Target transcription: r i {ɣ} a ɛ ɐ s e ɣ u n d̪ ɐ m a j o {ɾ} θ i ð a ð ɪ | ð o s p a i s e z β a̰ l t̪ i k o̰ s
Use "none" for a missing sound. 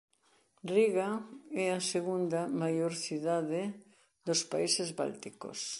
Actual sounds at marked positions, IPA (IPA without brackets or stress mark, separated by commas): ɣ, ɾ